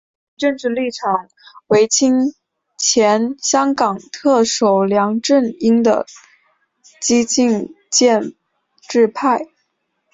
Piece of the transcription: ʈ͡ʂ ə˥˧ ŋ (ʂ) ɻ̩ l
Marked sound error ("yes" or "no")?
yes